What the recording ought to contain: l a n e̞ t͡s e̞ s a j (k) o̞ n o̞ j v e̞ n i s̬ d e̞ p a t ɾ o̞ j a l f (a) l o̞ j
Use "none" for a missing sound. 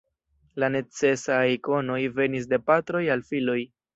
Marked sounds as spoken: k, i

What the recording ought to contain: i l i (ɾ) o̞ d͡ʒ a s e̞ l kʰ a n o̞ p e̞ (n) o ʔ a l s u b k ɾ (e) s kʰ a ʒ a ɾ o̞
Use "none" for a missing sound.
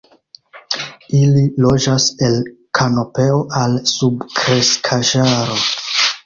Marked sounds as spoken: l, none, e

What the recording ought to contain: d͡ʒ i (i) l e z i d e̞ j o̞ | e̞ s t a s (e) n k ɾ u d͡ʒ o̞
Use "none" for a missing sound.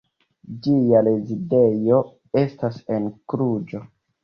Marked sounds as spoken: a, e

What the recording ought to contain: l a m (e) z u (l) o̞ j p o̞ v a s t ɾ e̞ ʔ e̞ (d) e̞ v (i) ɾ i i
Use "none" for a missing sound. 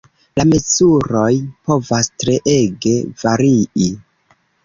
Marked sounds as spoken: e, ɾ, ɡ, a

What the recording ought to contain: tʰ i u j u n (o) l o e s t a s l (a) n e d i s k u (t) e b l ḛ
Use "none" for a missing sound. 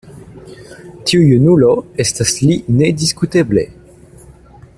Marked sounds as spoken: u, i, t

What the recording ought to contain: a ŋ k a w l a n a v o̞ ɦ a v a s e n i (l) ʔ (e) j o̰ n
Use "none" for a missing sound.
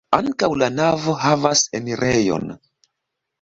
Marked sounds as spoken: ɾ, e

